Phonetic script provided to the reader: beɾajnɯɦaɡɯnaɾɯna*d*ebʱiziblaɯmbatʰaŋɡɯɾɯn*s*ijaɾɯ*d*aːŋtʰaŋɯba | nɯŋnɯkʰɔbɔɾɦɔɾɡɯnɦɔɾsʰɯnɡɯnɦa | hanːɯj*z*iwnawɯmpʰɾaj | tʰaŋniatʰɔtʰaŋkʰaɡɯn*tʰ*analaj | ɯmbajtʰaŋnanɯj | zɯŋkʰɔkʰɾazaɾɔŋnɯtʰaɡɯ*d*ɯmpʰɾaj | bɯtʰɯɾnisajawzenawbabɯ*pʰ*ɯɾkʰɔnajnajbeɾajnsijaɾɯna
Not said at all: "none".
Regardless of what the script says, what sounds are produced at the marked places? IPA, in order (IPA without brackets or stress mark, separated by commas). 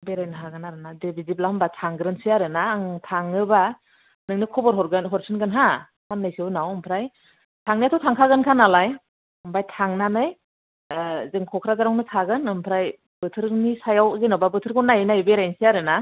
d, s, n, s, kʰ, n, tʰ